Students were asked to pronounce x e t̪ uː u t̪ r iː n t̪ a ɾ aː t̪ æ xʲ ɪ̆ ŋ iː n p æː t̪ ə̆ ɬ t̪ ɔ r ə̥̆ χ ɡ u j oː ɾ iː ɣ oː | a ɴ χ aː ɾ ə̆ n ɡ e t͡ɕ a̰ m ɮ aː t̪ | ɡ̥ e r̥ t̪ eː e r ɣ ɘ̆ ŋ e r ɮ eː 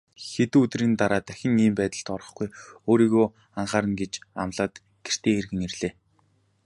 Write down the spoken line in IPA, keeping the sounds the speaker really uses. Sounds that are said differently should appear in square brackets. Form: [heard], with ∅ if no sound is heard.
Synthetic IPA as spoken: x e t̪ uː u t̪ r iː n t̪ a ɾ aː t̪ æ xʲ ɪ̆ ŋ iː [m] p æː t̪ ə̆ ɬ t̪ ɔ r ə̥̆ χ ɡ u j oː ɾ iː ɣ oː | a ɴ χ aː ɾ ə̆ n ɡ e t͡ɕ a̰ m ɮ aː t̪ | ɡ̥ e r̥ t̪ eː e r ɣ ɘ̆ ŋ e r ɮ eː